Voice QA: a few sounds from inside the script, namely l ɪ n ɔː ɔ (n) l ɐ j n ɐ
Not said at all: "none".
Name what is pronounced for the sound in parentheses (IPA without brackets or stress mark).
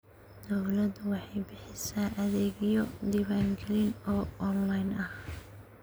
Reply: n